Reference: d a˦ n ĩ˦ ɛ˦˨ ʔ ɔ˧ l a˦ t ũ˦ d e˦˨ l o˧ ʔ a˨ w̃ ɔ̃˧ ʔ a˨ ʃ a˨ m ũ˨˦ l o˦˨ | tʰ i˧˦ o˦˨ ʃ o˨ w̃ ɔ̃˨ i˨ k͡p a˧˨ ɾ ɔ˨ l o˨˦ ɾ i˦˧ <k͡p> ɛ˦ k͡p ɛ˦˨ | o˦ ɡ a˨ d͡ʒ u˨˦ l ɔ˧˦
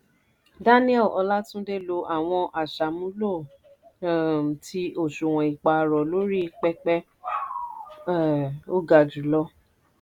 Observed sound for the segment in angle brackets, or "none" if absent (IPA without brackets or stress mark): k͡p